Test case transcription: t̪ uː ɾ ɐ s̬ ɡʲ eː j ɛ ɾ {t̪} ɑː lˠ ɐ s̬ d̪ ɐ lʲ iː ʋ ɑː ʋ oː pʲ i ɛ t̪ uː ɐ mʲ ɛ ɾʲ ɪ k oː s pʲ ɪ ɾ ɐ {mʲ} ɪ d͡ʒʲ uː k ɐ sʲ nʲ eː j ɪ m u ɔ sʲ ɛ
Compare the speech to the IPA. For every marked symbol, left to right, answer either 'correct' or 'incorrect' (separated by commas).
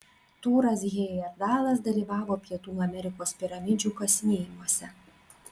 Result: incorrect, correct